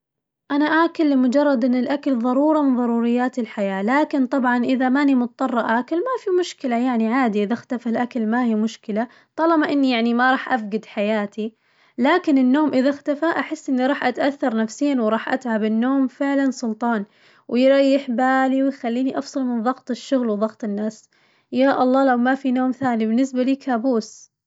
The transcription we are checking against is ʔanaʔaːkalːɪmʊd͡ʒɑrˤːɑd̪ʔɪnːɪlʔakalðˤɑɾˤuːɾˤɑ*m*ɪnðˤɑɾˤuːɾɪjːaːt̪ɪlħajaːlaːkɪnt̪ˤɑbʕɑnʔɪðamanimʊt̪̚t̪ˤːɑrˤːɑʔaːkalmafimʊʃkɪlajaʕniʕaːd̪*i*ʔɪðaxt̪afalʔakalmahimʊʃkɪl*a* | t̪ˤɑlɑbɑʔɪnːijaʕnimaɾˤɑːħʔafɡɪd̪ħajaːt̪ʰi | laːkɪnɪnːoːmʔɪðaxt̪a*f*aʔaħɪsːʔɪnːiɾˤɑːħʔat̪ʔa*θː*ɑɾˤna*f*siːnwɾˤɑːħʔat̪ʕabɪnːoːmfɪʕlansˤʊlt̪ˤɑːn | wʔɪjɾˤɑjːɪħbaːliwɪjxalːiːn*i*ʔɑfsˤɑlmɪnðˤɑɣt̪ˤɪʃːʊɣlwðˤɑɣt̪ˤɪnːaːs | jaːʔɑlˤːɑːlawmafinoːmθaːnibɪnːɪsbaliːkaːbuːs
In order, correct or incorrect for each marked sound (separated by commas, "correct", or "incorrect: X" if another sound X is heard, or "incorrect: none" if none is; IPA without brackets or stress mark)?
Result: correct, correct, correct, correct, correct, correct, correct